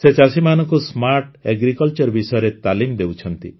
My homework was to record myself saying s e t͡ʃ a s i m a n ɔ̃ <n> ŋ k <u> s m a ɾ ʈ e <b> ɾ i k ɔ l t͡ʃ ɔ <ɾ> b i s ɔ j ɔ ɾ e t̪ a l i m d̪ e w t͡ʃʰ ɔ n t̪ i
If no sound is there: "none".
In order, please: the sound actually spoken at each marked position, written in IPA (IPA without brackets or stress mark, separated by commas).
none, u, ɡ, ɾ